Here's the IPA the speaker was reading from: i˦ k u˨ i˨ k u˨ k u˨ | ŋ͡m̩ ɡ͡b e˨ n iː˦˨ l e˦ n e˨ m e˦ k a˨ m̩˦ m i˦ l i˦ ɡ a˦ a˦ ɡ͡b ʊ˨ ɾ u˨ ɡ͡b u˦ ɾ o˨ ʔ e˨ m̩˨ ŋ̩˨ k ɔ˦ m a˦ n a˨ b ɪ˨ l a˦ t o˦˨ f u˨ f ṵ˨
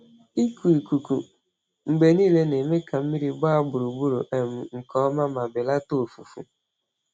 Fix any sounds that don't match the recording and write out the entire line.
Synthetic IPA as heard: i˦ k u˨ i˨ k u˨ k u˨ | ŋ͡m̩ ɡ͡b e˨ n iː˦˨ l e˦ n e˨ m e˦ k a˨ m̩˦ m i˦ ɾ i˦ ɡ͡b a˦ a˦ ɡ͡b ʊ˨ ɾ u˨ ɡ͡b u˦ ɾ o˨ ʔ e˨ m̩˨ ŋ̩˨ k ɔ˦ m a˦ m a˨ b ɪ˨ l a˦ t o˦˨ f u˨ f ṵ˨

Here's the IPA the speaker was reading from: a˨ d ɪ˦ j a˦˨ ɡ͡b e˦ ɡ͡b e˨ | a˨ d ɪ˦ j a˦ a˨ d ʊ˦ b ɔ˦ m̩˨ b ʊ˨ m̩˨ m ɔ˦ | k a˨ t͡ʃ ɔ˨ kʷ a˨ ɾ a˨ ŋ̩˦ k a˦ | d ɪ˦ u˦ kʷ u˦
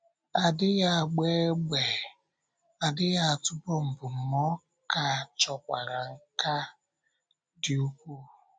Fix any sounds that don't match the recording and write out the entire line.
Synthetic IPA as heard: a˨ d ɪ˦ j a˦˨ ɡ͡b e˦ ɡ͡b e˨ | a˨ d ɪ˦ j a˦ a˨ t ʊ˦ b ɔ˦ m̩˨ b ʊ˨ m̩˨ m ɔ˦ | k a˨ t͡ʃ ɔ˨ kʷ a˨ ɾ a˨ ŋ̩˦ k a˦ | d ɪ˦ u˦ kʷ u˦

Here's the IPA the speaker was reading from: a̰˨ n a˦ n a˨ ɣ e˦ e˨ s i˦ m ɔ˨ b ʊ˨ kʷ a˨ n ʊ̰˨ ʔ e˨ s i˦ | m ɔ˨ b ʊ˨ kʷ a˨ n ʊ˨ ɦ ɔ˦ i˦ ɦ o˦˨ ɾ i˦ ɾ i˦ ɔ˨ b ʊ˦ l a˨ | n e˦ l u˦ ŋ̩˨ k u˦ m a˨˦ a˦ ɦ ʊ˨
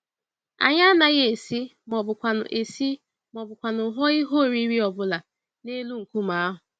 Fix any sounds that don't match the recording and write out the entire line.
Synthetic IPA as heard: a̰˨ ɲ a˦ n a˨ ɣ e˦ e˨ s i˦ m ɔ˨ b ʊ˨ kʷ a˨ n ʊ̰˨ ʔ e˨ s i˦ | m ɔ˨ b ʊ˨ kʷ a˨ n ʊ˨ ɦ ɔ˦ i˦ ɦ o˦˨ ɾ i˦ ɾ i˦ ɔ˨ b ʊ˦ l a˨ | n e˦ l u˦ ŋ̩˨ k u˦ m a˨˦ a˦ ɦ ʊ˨

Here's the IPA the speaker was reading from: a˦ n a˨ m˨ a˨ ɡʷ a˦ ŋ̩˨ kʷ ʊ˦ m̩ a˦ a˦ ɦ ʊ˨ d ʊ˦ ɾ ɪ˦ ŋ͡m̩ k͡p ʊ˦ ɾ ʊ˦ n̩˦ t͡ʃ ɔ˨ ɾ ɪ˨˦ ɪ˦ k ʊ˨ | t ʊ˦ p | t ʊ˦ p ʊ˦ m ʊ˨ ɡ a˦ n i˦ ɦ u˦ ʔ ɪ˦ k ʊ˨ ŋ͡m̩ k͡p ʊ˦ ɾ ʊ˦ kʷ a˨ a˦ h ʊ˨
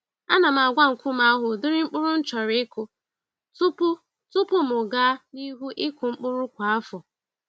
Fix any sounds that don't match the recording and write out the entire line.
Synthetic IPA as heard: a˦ n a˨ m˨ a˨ ɡʷ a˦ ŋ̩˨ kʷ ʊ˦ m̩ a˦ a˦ ɦ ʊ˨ d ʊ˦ ɾ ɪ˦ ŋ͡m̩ k͡p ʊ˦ ɾ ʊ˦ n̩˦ t͡ʃ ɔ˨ ɾ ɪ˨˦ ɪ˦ k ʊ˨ | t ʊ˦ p | t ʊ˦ p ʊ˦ m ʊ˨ ɡ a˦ n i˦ ɦ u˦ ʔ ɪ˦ k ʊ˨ ŋ͡m̩ k͡p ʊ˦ ɾ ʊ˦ kʷ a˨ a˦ f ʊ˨

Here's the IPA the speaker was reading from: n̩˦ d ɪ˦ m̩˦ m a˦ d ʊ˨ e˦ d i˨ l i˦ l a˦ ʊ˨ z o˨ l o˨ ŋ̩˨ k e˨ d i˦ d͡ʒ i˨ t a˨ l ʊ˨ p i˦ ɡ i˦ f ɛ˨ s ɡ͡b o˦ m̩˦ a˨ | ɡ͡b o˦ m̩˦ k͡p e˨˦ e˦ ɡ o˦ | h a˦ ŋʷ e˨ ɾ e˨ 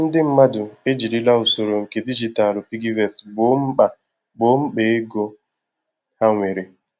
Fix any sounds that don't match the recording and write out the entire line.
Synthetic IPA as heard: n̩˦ d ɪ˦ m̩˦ m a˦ d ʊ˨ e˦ d͡ʒ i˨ l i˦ l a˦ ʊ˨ s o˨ ɾ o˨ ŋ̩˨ k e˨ d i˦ d͡ʒ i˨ t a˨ l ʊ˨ p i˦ ɡ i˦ v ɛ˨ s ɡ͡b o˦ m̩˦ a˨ | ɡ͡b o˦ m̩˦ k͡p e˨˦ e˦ ɡ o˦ | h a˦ ŋʷ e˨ ɾ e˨

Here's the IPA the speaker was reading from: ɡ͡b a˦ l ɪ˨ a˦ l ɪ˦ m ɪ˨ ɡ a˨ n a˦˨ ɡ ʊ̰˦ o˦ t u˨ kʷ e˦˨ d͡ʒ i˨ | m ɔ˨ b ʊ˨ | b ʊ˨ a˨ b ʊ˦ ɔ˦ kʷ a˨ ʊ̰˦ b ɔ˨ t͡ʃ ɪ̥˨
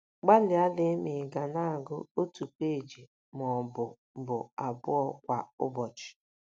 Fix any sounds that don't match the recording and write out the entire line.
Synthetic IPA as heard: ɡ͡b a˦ l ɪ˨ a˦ l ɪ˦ m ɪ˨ ɡ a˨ n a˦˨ ɡ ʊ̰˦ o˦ t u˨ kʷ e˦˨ d͡ʒ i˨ | m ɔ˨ b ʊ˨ | b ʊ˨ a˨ b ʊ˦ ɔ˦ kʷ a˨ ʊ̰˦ b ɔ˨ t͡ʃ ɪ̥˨

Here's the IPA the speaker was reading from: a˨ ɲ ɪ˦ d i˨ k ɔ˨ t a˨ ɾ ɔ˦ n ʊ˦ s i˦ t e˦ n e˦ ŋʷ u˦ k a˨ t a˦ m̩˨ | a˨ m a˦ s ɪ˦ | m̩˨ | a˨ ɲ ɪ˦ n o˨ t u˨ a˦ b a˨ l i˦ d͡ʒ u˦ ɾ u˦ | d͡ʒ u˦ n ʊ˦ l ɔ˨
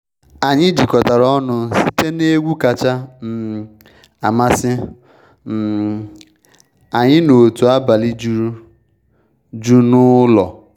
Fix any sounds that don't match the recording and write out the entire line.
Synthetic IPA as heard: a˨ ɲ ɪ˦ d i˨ k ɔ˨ t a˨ ɾ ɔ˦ n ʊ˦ s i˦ t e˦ n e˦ ɡʷ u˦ k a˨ t͡ʃ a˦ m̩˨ | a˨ m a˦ s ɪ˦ | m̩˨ | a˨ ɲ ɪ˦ n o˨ t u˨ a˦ b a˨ l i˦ d͡ʒ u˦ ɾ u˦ | d͡ʒ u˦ n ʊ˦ l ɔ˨

